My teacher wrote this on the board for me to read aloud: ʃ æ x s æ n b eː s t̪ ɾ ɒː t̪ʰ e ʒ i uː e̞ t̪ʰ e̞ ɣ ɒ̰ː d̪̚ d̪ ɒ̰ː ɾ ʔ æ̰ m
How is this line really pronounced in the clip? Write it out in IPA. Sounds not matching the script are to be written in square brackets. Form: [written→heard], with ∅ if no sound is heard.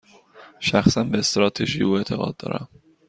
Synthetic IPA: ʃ æ x s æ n b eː s t̪ ɾ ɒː t̪ʰ e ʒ i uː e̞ t̪ʰ e̞ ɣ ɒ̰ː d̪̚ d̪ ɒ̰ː ɾ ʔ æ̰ m